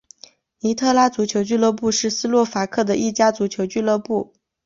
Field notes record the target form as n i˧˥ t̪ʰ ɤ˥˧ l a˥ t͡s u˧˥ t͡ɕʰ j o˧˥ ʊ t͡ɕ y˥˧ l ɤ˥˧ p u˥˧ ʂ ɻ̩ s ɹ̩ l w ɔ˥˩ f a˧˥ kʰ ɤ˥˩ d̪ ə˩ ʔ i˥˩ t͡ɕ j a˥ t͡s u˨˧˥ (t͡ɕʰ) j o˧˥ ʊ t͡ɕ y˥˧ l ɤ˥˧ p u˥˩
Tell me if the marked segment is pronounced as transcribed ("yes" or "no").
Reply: yes